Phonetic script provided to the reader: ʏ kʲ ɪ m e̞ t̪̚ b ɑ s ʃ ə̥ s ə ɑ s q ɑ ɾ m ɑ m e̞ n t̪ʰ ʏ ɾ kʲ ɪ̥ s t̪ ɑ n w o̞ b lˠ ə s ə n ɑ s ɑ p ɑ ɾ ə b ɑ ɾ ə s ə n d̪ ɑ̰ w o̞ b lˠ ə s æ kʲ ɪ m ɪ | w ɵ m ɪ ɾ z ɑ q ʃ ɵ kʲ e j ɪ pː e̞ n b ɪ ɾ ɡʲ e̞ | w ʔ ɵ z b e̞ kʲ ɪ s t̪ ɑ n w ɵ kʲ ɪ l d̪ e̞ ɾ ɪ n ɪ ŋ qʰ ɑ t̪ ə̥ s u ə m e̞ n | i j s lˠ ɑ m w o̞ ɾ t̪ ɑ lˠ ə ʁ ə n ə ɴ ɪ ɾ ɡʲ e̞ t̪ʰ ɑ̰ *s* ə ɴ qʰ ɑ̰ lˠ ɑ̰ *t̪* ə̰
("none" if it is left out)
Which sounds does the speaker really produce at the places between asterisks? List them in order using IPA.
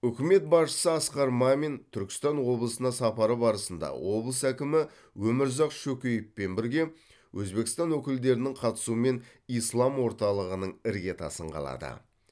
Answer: s, d̪

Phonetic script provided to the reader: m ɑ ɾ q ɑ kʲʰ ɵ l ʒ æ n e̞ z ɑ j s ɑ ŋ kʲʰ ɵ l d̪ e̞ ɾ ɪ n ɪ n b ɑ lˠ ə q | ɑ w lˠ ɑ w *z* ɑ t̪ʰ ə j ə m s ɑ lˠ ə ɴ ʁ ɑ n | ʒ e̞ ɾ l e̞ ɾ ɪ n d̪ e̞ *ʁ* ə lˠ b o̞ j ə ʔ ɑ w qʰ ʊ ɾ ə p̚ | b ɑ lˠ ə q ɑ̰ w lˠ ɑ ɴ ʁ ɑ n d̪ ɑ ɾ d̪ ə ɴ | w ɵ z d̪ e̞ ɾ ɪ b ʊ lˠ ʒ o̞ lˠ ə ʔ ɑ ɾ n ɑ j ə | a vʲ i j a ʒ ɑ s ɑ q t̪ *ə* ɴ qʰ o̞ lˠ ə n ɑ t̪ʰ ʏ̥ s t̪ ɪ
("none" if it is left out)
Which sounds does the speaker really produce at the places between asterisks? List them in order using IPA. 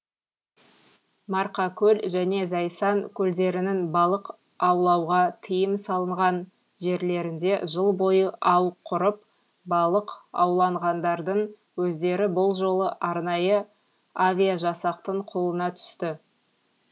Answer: ʁ, ʒ, ə

